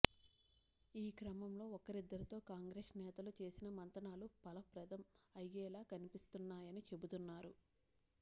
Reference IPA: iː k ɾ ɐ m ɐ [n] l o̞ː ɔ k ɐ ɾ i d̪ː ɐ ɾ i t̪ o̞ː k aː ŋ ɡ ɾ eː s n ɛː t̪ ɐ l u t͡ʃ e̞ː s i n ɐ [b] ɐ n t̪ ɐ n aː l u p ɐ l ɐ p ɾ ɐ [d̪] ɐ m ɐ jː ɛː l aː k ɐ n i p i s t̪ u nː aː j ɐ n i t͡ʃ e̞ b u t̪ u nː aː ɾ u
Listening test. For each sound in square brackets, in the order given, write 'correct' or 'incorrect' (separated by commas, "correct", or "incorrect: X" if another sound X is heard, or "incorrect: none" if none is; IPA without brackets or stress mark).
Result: incorrect: m, incorrect: m, correct